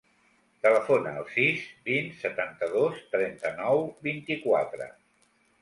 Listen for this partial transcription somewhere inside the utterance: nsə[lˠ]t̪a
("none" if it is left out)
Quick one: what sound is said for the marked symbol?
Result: none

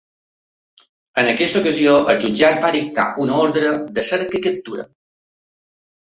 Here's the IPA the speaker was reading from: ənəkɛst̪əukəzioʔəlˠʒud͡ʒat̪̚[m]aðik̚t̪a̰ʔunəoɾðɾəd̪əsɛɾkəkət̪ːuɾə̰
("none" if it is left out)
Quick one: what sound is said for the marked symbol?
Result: b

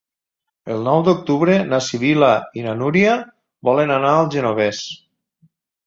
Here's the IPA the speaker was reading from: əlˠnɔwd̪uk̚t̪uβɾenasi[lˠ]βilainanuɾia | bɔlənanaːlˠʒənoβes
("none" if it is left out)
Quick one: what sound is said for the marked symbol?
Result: none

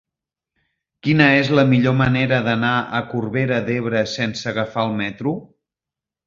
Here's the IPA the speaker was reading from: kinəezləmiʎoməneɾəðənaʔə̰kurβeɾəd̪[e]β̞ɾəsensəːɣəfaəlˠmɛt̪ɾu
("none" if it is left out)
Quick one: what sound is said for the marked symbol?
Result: e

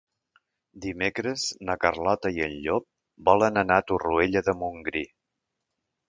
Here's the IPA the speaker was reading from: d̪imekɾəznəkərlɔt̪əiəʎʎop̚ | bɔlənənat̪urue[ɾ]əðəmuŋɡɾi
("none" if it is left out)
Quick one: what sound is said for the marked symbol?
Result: ʎ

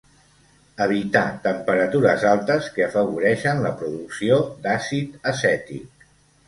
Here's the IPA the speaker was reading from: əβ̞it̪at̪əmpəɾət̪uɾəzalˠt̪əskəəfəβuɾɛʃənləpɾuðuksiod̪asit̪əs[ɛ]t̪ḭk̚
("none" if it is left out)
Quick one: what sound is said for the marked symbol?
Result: ɛ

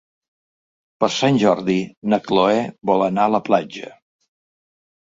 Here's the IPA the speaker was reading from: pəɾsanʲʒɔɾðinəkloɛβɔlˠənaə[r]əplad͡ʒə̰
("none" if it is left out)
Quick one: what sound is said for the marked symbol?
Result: l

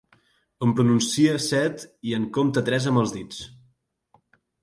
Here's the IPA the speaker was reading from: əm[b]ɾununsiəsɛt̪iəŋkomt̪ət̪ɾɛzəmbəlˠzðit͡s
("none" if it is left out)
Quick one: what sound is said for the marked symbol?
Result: p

